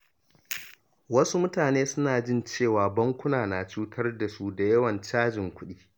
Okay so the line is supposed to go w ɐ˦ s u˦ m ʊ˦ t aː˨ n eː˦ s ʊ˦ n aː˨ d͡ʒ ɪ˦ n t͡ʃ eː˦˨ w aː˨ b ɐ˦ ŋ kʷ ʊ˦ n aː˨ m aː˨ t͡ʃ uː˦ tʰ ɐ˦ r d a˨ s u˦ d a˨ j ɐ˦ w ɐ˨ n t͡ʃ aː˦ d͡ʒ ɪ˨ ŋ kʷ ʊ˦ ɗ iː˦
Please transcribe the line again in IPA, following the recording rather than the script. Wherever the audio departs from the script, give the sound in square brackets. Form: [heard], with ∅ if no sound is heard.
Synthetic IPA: w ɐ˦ s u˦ m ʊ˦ t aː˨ n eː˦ s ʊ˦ n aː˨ d͡ʒ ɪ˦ n t͡ʃ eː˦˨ w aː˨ b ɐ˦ ŋ kʷ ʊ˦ n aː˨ [n] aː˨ t͡ʃ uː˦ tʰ ɐ˦ r d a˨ s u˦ d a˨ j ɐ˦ w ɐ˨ n t͡ʃ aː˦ d͡ʒ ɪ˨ ŋ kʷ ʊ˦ ɗ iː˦